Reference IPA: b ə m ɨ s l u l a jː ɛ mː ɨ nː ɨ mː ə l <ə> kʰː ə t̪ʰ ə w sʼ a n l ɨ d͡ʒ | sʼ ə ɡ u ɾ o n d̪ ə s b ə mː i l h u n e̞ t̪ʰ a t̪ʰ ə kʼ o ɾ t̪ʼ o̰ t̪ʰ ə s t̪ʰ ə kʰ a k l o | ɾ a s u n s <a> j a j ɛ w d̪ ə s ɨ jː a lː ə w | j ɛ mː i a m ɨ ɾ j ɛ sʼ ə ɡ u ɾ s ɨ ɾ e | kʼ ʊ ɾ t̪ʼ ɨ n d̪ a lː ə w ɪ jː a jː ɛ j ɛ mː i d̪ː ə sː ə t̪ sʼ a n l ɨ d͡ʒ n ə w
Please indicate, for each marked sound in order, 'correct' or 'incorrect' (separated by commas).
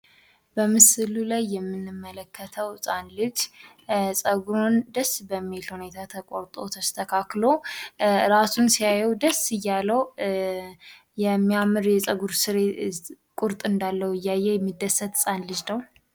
correct, incorrect